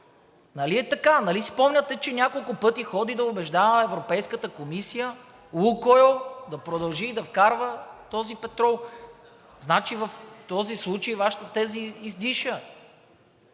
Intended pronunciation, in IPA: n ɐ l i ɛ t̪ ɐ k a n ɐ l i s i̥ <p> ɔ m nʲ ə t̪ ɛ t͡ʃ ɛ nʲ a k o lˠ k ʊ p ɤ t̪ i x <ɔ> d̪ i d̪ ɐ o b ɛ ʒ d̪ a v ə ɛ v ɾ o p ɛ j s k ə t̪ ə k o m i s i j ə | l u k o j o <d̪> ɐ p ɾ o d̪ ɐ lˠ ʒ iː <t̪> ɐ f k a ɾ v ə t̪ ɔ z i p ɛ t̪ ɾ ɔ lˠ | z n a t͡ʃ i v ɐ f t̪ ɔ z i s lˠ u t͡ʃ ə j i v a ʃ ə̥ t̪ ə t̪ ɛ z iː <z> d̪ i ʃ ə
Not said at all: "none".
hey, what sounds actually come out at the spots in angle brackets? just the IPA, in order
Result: p, ɔ, d̪, d̪, z

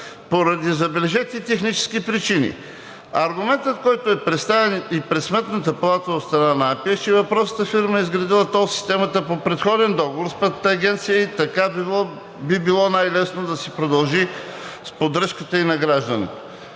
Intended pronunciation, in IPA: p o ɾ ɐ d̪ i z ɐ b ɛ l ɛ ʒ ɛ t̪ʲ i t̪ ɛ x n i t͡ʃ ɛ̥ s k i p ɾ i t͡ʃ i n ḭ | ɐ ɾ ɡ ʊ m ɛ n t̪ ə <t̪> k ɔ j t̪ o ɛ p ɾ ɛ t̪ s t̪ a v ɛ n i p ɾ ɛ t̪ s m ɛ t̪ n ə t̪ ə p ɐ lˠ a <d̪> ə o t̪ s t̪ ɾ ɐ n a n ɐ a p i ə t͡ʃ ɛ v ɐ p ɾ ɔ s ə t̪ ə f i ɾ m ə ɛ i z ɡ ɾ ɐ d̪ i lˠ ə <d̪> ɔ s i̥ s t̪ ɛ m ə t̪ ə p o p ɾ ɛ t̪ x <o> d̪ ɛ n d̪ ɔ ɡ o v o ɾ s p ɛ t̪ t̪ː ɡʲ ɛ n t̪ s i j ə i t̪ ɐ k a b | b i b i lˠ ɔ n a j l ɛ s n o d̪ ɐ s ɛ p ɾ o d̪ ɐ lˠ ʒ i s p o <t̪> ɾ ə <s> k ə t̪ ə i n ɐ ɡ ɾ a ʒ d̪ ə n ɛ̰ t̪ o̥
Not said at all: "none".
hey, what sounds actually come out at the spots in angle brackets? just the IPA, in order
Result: t̪, t̪, t̪, ɔ, d̪, ʃ

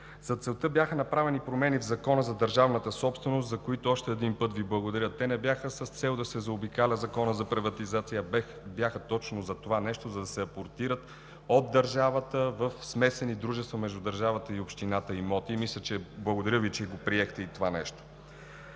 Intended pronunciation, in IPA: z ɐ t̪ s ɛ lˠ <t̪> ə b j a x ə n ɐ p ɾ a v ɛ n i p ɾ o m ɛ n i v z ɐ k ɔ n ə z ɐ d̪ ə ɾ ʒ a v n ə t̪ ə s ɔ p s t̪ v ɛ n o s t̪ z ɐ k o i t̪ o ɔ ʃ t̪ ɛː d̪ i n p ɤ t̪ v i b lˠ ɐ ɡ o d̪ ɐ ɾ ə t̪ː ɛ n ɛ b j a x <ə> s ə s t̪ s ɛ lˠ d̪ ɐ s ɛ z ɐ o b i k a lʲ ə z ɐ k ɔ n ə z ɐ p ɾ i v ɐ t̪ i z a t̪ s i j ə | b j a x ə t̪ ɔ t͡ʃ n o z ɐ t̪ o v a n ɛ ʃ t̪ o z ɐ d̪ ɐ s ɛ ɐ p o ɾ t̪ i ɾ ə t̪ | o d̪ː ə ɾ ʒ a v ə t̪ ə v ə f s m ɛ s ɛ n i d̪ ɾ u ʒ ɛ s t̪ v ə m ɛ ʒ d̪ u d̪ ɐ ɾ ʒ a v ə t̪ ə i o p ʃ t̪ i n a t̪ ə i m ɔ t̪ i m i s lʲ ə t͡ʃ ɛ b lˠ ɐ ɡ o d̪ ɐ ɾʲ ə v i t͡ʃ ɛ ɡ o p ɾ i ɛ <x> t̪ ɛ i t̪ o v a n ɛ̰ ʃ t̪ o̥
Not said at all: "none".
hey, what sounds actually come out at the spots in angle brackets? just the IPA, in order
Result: t̪, ə, x

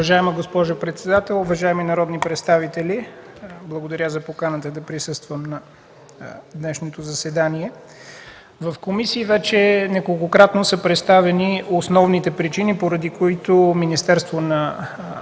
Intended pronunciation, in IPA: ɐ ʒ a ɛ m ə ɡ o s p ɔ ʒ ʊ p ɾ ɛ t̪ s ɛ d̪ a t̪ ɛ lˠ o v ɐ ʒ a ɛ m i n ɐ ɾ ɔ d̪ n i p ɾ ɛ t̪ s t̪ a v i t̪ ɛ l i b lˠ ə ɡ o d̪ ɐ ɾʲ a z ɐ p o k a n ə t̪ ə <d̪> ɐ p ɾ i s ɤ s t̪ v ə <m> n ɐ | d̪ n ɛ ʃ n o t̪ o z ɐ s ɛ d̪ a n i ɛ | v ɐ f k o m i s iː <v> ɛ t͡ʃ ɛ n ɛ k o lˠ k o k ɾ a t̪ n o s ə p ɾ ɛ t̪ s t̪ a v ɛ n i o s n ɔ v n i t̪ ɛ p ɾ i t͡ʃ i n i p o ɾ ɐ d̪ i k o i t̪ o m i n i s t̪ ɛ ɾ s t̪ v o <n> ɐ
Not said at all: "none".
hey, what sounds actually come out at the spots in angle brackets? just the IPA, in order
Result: d̪, m, v, n

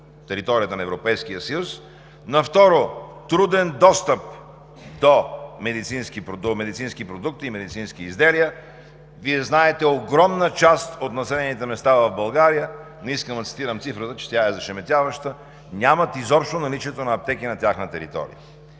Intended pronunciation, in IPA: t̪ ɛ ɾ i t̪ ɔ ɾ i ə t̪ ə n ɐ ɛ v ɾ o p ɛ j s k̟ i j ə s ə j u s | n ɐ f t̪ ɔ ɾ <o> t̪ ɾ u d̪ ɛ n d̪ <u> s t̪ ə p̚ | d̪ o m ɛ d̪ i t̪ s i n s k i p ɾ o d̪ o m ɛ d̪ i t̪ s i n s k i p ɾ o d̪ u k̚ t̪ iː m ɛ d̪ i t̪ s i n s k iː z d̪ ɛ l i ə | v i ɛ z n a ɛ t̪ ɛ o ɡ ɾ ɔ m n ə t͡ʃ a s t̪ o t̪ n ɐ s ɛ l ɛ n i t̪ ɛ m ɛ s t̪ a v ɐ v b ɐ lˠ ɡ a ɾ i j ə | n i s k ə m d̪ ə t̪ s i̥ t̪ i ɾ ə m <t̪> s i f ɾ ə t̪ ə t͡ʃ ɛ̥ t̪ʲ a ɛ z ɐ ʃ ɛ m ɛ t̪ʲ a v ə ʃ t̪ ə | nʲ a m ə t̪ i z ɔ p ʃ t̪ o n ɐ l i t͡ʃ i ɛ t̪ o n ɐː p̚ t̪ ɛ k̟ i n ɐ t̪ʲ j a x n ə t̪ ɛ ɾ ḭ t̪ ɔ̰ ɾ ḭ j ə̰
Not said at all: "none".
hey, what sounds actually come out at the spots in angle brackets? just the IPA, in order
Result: o, ɔ, t̪

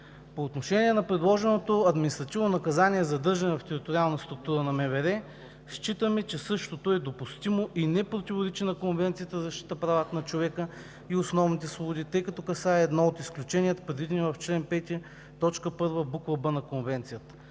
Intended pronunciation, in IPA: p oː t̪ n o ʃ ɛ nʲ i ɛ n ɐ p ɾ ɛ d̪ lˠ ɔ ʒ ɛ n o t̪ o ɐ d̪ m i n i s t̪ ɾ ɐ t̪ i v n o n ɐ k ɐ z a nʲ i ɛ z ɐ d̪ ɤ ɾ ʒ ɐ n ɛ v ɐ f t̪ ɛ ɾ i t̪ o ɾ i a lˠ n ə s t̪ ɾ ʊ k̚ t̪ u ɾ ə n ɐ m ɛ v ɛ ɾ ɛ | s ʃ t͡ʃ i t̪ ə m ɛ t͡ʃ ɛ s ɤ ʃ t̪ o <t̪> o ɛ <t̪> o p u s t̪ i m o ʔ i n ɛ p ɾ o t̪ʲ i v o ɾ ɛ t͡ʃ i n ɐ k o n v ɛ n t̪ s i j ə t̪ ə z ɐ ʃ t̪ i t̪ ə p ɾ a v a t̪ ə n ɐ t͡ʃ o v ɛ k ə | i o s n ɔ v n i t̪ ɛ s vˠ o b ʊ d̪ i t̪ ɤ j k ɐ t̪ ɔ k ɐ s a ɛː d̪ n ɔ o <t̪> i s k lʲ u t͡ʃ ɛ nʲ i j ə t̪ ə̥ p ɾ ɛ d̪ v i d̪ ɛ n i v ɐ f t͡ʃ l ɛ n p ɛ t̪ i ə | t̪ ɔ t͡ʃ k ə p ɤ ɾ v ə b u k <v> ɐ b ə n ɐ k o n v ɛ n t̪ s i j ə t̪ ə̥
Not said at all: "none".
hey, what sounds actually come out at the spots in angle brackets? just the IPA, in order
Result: t̪, d̪, t̪, v

